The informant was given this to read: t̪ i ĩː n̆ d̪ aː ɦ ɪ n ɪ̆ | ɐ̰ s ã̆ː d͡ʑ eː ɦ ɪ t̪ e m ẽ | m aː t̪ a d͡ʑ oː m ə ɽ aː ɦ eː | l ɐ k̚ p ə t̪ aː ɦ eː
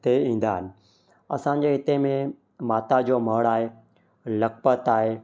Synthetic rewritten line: t̪ e ĩː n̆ d̪ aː ɦ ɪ n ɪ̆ | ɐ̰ s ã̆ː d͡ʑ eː ɦ ɪ t̪ e m ẽ | m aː t̪ a d͡ʑ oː m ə ɽ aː ɦ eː | l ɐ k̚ p ə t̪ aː ɦ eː